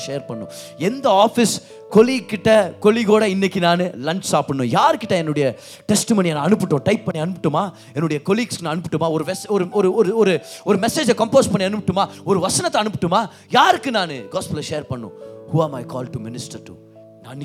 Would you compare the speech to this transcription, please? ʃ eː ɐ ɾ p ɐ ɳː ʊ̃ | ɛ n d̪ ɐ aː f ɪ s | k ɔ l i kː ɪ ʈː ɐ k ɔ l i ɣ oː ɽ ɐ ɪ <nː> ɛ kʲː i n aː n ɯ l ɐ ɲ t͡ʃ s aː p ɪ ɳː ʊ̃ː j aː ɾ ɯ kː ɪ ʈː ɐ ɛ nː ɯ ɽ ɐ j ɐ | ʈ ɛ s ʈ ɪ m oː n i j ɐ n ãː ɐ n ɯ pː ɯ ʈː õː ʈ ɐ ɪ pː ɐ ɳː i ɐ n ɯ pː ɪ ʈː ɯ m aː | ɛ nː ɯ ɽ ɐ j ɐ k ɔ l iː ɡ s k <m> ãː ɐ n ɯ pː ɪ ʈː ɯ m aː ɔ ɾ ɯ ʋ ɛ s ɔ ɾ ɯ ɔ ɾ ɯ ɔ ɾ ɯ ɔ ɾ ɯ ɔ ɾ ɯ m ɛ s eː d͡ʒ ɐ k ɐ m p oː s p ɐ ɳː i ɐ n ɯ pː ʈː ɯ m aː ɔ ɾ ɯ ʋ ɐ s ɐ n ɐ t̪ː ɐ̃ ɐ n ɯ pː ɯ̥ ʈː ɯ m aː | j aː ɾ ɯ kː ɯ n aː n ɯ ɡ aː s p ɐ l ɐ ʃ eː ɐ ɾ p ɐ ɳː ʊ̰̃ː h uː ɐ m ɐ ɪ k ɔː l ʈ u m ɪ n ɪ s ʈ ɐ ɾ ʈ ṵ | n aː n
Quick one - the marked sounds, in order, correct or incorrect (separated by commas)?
correct, incorrect